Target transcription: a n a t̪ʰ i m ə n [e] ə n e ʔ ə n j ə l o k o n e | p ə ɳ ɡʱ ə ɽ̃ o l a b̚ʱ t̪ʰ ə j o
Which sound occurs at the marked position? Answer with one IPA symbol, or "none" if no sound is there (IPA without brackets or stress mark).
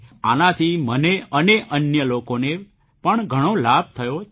e